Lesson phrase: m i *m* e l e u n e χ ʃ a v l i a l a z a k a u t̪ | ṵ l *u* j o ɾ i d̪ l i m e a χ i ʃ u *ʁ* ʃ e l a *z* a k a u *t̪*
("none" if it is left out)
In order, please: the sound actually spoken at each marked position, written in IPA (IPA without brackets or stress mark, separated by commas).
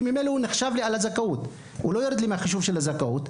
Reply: m, o, v, z, t̪